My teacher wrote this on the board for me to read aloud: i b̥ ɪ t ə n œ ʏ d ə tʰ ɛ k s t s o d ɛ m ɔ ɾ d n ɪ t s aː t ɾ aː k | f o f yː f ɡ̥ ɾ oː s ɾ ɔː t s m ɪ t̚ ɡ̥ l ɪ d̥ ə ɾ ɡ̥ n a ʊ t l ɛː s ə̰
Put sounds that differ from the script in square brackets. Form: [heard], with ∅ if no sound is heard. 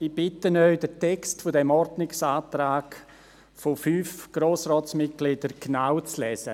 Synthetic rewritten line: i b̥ ɪ t ə n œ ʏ d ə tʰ ɛ k s t [f] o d ɛ m ɔ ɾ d n ɪ [k] s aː t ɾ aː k | f o f yː f ɡ̥ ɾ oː s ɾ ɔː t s m ɪ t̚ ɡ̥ l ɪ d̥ ə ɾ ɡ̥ n a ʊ [t͡s] l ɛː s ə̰